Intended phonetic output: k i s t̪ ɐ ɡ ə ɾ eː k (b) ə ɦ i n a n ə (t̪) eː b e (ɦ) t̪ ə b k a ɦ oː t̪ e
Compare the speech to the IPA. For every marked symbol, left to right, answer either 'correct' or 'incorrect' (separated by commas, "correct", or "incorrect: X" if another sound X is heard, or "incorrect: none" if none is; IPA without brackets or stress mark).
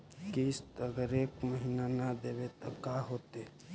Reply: incorrect: m, incorrect: d̪, incorrect: none